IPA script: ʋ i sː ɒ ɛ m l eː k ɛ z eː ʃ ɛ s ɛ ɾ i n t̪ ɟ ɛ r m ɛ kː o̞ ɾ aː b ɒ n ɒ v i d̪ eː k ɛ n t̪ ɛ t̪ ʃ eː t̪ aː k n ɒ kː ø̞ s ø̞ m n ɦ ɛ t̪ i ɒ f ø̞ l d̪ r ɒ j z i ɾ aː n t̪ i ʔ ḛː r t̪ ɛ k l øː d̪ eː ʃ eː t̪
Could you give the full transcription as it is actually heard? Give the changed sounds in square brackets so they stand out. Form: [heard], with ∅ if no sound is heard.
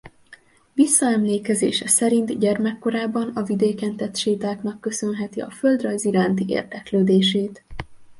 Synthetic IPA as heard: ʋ i sː ɒ ɛ m l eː k ɛ z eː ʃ ɛ s ɛ ɾ i n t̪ ɟ ɛ r m ɛ kː o̞ ɾ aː b ɒ n ɒ v i d̪ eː k ɛ n t̪ ɛ t̪ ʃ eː t̪ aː k n ɒ kː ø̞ s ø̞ [∅] n ɦ ɛ t̪ i ɒ f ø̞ l d̪ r ɒ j z i ɾ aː n t̪ i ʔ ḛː r [d̪] ɛ k l øː d̪ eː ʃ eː t̪